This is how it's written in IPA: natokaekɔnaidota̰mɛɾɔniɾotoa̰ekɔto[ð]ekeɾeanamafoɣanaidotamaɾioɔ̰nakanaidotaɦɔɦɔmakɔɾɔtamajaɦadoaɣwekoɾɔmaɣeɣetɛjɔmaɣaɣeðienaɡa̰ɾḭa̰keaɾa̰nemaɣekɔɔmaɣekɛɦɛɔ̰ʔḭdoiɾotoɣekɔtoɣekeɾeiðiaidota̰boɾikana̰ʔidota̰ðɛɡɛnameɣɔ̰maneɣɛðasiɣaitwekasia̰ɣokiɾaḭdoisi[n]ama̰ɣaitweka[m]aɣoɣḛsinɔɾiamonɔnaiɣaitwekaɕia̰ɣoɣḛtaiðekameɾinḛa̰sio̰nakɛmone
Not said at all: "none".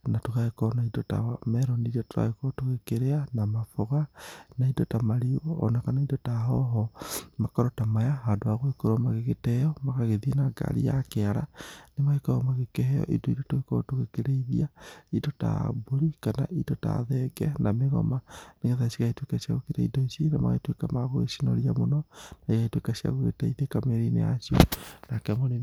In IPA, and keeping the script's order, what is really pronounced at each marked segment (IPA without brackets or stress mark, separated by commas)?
ɣ, n, m